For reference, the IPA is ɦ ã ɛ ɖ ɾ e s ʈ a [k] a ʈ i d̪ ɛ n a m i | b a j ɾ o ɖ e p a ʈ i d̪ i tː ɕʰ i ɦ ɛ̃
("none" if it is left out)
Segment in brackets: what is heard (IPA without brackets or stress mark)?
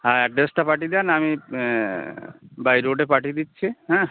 p